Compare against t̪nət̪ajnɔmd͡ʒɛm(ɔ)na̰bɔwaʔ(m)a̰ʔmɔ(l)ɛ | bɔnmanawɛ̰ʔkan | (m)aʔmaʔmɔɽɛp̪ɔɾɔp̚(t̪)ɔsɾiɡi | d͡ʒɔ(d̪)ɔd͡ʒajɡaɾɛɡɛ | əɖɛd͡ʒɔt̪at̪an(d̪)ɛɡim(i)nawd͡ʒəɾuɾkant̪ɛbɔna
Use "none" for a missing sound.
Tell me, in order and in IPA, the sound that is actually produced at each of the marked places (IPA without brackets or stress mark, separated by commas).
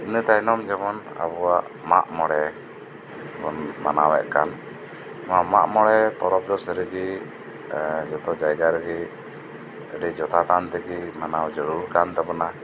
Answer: ɔ, m, ɽ, m, d̪, t̪, t̪, a